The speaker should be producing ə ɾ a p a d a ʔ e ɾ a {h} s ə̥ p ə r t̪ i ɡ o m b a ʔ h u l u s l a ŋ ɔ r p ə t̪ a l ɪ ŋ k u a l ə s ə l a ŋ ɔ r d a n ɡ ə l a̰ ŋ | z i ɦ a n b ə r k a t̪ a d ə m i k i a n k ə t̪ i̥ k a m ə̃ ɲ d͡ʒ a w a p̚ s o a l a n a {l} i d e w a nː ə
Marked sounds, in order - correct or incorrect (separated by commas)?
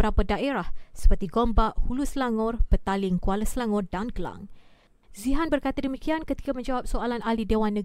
correct, correct